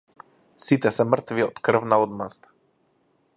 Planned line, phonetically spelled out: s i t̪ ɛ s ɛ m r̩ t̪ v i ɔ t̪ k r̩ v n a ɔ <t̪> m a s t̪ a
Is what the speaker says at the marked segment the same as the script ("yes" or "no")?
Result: no